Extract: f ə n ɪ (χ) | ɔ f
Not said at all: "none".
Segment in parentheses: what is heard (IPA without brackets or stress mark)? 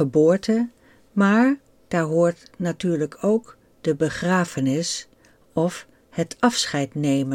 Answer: s